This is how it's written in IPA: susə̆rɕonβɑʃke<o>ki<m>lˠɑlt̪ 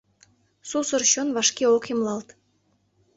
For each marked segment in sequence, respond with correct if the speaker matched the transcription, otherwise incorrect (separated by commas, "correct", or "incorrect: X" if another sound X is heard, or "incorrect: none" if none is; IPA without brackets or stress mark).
correct, correct